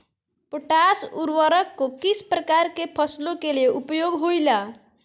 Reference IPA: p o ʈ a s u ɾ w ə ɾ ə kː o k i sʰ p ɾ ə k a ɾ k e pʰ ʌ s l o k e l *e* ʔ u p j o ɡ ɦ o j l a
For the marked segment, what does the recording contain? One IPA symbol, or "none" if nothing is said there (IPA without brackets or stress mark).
e